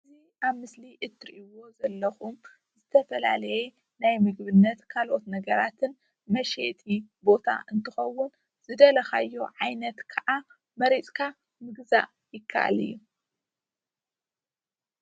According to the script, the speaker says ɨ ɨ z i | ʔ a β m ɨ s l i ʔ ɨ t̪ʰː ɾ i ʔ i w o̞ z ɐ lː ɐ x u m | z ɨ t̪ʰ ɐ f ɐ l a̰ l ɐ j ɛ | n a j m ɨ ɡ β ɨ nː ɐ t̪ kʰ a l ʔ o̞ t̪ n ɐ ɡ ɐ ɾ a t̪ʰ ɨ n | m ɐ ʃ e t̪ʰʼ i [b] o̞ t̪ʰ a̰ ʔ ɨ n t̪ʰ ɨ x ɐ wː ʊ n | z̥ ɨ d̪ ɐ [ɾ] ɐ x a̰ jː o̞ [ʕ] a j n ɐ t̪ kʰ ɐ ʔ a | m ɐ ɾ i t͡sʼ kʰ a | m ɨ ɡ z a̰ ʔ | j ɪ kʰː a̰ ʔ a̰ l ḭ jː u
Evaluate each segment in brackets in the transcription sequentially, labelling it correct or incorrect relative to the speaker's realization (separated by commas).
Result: correct, incorrect, correct